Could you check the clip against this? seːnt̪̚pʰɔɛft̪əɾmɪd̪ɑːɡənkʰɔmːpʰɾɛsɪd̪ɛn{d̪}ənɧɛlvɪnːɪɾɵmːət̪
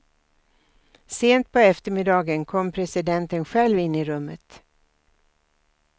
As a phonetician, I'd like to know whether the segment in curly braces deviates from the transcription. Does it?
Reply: yes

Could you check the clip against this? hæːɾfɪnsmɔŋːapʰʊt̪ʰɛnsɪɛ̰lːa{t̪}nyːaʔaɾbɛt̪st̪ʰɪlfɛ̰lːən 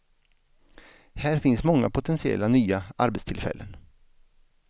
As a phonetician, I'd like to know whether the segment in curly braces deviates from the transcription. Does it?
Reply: yes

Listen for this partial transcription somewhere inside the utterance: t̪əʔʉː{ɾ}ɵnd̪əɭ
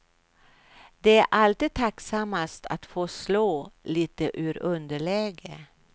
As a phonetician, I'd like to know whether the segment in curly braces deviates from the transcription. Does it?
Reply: no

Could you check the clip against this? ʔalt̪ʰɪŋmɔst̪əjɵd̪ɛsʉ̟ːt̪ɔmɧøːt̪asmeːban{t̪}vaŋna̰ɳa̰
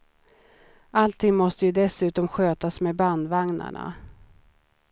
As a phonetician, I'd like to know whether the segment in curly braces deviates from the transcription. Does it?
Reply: yes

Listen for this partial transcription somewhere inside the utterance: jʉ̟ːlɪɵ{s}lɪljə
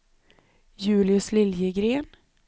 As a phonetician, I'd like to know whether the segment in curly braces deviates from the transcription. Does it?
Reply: no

